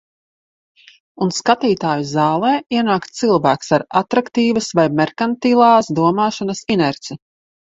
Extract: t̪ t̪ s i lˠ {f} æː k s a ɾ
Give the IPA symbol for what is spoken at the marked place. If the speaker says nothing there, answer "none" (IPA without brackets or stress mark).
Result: v